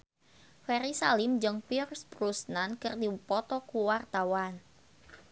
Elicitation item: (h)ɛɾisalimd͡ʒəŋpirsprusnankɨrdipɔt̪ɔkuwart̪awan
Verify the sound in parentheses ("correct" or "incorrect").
incorrect